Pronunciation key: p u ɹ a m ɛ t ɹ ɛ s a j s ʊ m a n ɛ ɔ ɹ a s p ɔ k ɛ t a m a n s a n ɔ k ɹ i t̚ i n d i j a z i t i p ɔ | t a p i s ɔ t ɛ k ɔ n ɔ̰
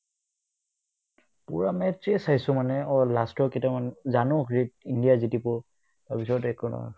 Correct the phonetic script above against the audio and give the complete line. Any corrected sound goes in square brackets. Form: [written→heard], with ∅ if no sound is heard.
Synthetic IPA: p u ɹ a m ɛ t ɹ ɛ s a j s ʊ m a n ɛ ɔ [ɹ→l] a s [p→t] ɔ k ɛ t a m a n [s→z] a n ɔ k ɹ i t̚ i n d i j a z i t i p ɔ | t a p i s ɔ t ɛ k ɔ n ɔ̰